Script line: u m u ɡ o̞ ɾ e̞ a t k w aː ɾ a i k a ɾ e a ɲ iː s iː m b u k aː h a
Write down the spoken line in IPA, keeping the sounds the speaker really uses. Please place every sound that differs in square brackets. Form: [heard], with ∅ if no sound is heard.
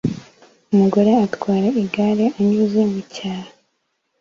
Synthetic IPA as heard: u m u ɡ o̞ ɾ e̞ a t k w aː ɾ a i [ɡ] a ɾ e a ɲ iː [z] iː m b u [c] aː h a

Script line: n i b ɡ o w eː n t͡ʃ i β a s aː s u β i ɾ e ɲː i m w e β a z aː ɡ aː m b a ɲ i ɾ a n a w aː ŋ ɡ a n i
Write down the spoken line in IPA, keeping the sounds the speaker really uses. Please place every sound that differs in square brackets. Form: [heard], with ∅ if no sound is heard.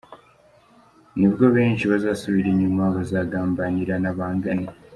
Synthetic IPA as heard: n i [β] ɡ o [β] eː [ɲ] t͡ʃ i β a [z] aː s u β i ɾ e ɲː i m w [a] β a z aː ɡ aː m b a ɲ i ɾ a n a [β] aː ŋ ɡ a n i

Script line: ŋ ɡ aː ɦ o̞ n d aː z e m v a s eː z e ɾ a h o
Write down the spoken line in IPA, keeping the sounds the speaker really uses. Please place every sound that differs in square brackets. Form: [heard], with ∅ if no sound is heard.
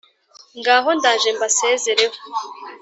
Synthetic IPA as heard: ŋ ɡ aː ɦ o̞ n d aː [ʒ] e m [b] a s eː z e ɾ [e] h o

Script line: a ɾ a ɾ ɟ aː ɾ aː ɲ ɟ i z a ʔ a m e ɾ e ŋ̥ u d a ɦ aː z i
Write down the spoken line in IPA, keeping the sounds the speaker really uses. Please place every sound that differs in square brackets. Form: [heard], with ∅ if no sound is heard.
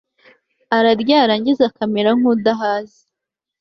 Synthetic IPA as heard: a ɾ a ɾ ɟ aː ɾ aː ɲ ɟ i z a [k] a m e ɾ [a] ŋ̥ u d a ɦ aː z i

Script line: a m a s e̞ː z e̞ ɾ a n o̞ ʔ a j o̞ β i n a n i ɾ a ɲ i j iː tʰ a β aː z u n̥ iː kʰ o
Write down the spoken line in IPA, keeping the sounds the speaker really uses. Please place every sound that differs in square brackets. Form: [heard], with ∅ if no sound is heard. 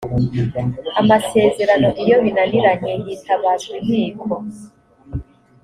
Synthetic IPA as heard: a m a s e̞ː z e̞ ɾ a n o̞ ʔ [i] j o̞ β i n a n i ɾ a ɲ [e] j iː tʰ a β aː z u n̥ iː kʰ o

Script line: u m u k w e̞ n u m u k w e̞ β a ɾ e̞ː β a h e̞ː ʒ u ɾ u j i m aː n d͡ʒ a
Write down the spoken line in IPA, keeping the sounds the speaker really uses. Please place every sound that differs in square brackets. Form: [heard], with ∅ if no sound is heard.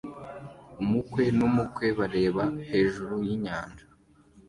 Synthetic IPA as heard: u m u k w e̞ n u m u k w e̞ β a ɾ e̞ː β a h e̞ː ʒ u ɾ u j i [ɲ] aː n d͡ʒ a

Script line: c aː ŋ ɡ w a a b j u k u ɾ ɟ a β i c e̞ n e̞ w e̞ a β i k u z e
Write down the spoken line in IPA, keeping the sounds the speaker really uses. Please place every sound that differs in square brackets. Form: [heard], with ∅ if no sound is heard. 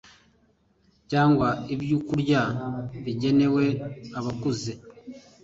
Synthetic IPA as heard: c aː ŋ ɡ w a [i] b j u k u ɾ ɟ a β i [ɟ] e̞ n e̞ w e̞ a β [a] k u z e

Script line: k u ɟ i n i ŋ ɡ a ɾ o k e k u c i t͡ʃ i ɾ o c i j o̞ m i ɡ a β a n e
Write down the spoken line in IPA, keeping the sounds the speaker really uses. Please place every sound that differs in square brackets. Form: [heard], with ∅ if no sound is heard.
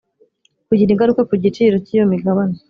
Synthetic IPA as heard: k u ɟ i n i ŋ ɡ a ɾ [u] k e k u [ɟ] i t͡ʃ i ɾ o c i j o̞ m i ɡ a β a n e

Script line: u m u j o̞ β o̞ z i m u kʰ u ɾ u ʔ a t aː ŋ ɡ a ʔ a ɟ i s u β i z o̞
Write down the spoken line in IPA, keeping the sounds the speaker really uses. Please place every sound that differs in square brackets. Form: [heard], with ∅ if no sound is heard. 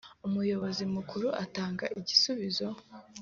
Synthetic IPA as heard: u m u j o̞ β o̞ z i m u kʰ u ɾ u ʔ a t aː ŋ ɡ a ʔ [i] ɟ i s u β i z o̞

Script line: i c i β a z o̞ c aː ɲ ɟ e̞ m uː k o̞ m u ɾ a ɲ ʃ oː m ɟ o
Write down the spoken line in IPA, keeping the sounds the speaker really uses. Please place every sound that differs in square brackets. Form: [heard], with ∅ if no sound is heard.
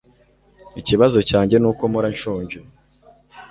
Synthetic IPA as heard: i c i β a z o̞ c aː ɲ ɟ e̞ [n] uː k o̞ m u ɾ a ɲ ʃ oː [ɲ] ɟ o

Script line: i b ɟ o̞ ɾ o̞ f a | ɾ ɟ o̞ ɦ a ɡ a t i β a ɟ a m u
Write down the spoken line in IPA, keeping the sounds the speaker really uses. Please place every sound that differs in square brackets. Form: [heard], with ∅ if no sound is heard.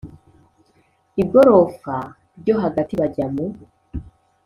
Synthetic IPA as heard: i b [ɡ] o̞ ɾ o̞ f a | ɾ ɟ o̞ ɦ a ɡ a t i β a ɟ a m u

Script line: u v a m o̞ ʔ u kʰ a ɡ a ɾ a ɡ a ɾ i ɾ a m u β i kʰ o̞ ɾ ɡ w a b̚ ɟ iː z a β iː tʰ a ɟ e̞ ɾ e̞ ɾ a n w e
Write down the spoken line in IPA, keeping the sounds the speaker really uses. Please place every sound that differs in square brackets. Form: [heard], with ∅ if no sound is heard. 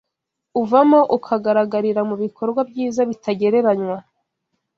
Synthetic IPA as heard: u v a m o̞ ʔ u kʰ a ɡ a ɾ a ɡ a ɾ i ɾ a m u β i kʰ o̞ ɾ ɡ w a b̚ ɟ iː z a β [i] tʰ a ɟ e̞ ɾ e̞ ɾ a [ɲ] w [a]

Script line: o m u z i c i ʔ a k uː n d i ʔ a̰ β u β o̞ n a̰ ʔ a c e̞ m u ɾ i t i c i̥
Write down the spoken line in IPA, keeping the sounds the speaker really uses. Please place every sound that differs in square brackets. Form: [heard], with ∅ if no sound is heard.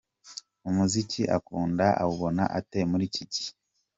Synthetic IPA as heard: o m u z i c i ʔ a k uː n d [a] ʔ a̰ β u β o̞ n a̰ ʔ a [t] e̞ m u ɾ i [c] i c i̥

